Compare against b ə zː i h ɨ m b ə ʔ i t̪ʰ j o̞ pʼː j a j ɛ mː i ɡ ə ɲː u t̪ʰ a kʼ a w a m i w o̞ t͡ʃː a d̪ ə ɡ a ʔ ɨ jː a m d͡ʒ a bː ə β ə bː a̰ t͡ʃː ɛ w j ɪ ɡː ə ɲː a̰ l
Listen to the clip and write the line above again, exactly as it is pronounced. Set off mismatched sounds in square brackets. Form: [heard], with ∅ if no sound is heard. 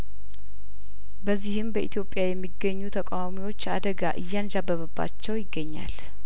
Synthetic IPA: b ə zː i h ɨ m b ə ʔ i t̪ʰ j o̞ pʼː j a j ɛ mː i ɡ ə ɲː u t̪ʰ [ə] kʼ a w a m i w o̞ t͡ʃː a d̪ ə ɡ a ʔ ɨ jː a [n] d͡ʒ a bː ə β ə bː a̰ t͡ʃː ɛ w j ɪ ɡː ə ɲː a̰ l